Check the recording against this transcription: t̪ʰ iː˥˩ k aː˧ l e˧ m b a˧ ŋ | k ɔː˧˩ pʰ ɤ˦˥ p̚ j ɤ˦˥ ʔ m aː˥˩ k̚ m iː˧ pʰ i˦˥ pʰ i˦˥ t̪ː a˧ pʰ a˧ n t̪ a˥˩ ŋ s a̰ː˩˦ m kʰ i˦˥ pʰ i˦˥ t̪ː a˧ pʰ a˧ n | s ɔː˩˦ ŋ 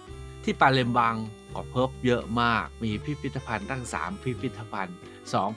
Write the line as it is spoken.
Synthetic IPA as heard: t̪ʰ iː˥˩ p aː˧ l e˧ m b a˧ ŋ | k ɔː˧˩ pʰ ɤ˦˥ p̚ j ɤ˦˥ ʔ m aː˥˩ k̚ m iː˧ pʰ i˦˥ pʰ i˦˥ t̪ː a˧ pʰ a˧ n t̪ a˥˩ ŋ s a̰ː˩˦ m pʰ i˦˥ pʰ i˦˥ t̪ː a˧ pʰ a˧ n | s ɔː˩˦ ŋ